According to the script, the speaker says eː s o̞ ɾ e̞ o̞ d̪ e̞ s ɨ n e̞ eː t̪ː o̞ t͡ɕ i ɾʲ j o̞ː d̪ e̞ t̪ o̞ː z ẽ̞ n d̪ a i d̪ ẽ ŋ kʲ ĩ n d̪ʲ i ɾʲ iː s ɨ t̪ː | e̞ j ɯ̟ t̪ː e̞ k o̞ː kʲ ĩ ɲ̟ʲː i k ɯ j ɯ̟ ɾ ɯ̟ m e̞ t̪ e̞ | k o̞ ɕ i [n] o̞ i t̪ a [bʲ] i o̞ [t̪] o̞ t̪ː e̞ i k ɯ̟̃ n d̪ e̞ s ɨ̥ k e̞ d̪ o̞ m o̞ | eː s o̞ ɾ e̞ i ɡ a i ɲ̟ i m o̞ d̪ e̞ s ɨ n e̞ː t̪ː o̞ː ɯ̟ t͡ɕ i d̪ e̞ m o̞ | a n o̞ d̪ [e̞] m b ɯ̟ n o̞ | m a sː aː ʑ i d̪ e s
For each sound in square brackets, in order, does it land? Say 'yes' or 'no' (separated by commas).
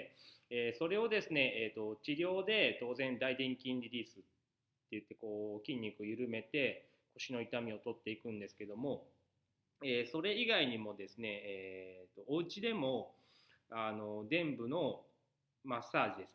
yes, no, yes, no